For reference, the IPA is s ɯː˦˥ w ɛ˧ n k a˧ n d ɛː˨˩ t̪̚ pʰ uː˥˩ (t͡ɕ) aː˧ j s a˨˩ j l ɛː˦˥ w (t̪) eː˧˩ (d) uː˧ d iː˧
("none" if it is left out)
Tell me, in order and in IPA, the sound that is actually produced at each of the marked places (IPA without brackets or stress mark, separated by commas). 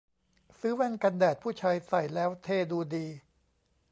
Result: t͡ɕʰ, t̪ʰ, d